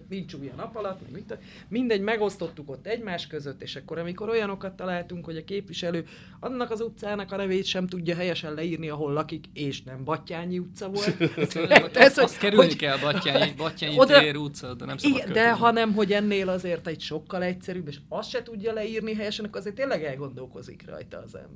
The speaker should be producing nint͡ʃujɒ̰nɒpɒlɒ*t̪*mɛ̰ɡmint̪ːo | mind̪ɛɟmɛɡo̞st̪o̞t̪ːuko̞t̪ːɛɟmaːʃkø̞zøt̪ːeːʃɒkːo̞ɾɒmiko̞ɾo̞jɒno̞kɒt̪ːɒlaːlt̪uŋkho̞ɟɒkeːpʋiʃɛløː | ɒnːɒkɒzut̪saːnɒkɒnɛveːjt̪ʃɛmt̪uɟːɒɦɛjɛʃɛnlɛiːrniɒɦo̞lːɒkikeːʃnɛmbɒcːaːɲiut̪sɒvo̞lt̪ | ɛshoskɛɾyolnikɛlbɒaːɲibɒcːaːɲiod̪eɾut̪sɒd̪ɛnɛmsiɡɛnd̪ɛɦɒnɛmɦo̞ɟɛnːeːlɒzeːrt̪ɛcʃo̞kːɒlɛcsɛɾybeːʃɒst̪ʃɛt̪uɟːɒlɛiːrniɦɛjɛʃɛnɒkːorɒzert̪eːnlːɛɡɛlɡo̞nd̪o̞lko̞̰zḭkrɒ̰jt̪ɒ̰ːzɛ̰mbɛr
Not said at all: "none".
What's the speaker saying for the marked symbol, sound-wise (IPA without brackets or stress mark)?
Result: t̪